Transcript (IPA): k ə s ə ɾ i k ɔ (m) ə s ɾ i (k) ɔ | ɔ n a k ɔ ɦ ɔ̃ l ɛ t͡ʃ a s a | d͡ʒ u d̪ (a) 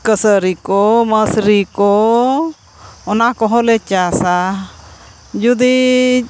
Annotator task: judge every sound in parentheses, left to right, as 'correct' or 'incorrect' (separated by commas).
correct, correct, incorrect